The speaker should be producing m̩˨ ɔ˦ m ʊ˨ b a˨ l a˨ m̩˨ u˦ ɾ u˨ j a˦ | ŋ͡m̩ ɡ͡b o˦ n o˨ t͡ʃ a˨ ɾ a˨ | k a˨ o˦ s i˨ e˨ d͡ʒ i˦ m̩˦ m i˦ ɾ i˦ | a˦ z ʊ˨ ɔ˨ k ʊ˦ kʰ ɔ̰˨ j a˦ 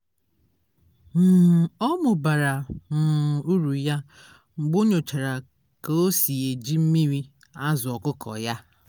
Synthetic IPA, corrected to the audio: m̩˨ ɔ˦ m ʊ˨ b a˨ ɾ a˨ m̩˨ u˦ ɾ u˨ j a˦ | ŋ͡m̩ ɡ͡b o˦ ɲ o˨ t͡ʃ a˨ ɾ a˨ | k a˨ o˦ s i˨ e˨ d͡ʒ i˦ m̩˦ m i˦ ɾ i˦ | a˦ z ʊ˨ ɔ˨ k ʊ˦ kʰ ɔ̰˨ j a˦